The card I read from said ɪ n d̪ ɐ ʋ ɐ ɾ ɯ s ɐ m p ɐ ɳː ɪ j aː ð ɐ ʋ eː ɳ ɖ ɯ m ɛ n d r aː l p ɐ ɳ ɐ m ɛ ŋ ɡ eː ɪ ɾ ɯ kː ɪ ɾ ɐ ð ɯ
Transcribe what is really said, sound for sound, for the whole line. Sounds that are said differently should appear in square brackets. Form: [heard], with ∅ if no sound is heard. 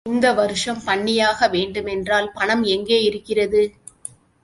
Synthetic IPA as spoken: ɪ n d̪ ɐ ʋ ɐ ɾ ɯ [ʂ] ɐ m p ɐ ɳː ɪ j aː [ɣ] ɐ ʋ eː ɳ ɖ ɯ m ɛ n d r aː l p ɐ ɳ ɐ m ɛ ŋ ɡ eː ɪ ɾ ɯ kː ɪ [r] ɐ ð ɯ